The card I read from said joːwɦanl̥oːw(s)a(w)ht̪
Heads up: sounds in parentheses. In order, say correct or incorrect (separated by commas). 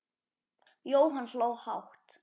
incorrect, correct